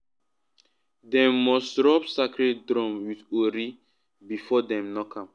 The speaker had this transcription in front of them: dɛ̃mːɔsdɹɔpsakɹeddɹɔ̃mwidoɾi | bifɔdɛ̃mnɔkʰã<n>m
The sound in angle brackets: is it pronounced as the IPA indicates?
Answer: no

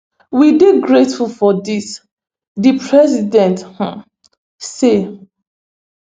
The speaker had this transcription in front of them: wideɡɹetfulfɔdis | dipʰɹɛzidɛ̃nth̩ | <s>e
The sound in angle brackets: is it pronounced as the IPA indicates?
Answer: yes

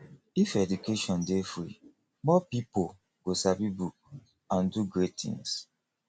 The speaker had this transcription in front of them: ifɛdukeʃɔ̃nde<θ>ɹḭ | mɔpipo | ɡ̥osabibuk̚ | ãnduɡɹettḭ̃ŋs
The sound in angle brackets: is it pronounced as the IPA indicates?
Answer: no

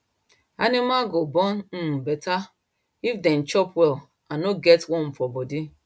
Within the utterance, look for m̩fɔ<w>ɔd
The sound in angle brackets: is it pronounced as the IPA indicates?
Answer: no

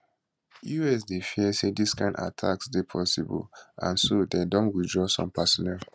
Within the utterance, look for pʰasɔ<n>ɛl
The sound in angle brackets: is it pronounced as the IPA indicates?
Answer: yes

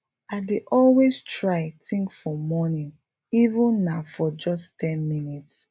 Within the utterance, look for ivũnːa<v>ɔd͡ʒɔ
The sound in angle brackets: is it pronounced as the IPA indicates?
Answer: no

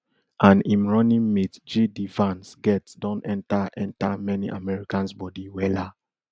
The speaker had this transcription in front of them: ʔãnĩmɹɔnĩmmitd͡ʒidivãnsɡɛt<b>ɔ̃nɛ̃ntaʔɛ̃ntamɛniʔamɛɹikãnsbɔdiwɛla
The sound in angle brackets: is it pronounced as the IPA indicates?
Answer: no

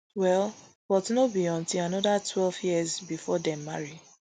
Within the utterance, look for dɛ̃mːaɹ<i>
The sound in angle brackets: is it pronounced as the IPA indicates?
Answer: yes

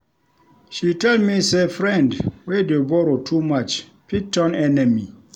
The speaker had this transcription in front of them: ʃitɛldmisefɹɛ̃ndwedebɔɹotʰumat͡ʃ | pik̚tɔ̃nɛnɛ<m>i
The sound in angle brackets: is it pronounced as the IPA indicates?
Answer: yes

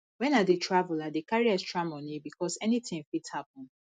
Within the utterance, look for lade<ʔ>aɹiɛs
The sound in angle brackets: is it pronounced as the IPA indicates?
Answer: no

